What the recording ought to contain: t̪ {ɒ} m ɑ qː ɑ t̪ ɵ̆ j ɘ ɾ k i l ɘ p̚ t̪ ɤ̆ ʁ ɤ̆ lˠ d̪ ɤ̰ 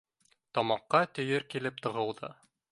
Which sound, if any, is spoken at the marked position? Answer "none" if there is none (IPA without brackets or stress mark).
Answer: ɒ